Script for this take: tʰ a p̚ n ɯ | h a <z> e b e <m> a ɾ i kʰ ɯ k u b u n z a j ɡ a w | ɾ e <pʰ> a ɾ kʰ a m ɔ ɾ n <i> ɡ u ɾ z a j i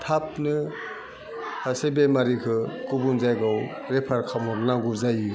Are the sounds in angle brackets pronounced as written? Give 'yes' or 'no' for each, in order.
no, yes, yes, no

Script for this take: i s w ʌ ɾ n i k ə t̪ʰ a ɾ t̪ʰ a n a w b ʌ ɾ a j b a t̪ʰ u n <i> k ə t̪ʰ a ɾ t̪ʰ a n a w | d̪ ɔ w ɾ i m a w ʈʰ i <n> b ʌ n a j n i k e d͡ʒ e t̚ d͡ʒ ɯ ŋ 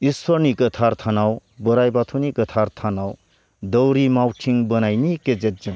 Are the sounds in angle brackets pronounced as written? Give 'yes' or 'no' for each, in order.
yes, no

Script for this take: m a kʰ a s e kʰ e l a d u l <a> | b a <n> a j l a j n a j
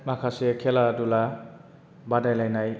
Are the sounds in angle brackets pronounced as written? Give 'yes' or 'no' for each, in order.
yes, no

